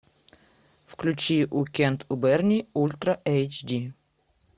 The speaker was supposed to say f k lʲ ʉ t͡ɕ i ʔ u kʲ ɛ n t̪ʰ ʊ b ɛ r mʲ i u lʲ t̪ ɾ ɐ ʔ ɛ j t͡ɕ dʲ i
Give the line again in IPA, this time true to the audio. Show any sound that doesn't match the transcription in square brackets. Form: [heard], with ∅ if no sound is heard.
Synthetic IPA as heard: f k lʲ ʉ t͡ɕ i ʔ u kʲ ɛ n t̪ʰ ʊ b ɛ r [nʲ] i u lʲ t̪ ɾ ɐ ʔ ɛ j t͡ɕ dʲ i